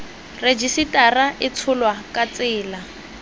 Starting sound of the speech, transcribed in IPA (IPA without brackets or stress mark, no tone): r